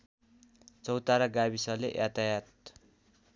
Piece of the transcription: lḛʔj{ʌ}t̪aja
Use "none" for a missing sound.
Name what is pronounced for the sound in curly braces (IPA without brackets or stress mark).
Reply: a